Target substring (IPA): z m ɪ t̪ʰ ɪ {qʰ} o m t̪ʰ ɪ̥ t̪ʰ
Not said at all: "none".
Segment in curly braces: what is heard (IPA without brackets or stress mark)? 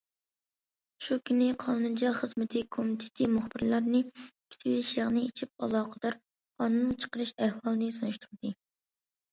kʰ